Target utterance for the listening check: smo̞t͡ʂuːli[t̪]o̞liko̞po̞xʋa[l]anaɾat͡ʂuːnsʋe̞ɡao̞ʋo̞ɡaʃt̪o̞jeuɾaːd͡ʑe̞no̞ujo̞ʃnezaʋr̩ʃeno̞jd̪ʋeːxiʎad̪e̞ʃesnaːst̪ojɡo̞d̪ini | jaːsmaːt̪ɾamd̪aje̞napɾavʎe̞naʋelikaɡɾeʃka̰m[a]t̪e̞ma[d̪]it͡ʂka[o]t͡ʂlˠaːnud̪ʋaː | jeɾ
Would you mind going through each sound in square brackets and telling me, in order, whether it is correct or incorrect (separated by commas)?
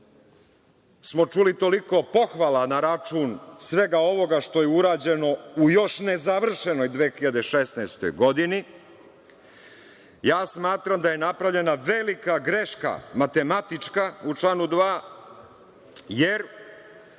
correct, correct, correct, incorrect, incorrect